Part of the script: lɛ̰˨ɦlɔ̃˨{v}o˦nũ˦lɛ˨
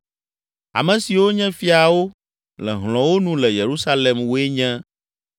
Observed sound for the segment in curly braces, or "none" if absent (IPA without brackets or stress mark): w